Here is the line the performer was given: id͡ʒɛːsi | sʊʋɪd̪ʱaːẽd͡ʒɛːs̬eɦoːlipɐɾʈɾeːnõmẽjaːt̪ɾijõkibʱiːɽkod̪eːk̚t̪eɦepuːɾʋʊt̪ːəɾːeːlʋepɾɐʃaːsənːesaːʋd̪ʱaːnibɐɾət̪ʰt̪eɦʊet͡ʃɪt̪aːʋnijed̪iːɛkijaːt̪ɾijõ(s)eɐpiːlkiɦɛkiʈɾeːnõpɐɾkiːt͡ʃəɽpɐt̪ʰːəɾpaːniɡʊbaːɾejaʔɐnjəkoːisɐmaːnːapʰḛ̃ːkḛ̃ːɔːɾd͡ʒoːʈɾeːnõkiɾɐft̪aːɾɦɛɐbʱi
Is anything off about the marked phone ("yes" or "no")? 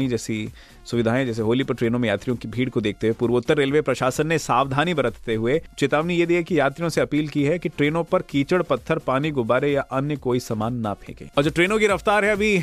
no